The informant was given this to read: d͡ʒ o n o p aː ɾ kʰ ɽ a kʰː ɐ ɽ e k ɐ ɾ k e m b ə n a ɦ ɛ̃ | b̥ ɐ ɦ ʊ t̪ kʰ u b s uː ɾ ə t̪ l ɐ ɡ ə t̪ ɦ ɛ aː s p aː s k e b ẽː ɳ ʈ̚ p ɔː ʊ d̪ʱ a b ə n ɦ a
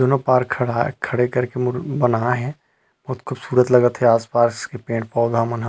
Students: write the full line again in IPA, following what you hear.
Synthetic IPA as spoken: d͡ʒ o n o p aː ɾ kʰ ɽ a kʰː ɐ ɽ e k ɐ ɾ k e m b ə n a ɦ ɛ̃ | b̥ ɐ ɦ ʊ t̪ kʰ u b s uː ɾ ə t̪ l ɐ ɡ ə t̪ ɦ ɛ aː s p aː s k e p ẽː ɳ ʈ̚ p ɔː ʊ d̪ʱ a m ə n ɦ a